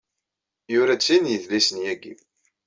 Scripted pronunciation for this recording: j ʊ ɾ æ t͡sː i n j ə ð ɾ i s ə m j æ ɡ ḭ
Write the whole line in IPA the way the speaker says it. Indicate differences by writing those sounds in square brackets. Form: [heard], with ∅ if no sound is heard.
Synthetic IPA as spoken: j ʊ ɾ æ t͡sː i n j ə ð [l] i s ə [n] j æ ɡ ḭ